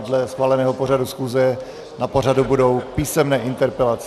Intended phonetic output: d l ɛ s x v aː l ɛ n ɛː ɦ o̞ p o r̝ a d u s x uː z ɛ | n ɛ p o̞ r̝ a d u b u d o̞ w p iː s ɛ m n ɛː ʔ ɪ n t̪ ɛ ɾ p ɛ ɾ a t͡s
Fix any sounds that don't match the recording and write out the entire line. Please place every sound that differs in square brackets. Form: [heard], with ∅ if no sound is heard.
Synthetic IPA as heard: d l ɛ s x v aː l ɛ n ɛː ɦ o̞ p o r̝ a d u s x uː z ɛ | n [a] p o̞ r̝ a d u b u d o̞ w p iː s ɛ m n ɛː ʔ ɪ n t̪ ɛ ɾ p ɛ [l] a t͡s